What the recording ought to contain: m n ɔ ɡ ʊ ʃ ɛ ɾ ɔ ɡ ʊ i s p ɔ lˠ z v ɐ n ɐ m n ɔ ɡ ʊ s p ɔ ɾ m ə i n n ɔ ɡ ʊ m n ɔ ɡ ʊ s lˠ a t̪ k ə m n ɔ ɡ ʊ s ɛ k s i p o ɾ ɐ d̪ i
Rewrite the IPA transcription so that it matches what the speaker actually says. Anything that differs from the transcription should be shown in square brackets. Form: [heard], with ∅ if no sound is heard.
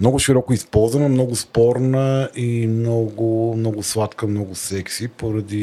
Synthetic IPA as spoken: m n ɔ ɡ ʊ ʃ [i] ɾ ɔ [k] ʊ i s p ɔ lˠ z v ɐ n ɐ m n ɔ ɡ ʊ s p ɔ ɾ [n] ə i [m] n ɔ ɡ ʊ m n ɔ ɡ ʊ s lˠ a t̪ k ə m n ɔ ɡ ʊ s ɛ k s i p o ɾ ɐ d̪ i